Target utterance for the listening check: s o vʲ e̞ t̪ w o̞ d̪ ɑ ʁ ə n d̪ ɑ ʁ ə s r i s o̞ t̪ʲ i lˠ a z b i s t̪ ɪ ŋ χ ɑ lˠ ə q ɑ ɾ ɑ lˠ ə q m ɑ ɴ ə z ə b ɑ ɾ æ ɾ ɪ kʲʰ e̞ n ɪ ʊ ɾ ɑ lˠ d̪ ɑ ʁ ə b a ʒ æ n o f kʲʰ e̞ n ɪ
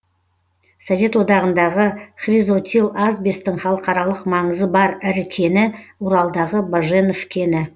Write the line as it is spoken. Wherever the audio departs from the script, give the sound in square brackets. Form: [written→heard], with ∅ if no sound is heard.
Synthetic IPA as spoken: s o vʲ e̞ t̪ w o̞ d̪ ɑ ʁ ə n d̪ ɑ ʁ ə [s→χ] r i [s→z] o̞ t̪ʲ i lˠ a z b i s t̪ ɪ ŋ χ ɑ lˠ ə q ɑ ɾ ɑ lˠ ə q m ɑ ɴ ə z ə b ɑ ɾ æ ɾ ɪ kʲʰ e̞ n ɪ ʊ ɾ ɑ lˠ d̪ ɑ ʁ ə b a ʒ [æ→e] n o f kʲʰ e̞ n ɪ